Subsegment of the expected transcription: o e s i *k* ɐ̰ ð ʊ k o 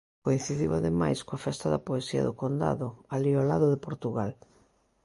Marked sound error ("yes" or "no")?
yes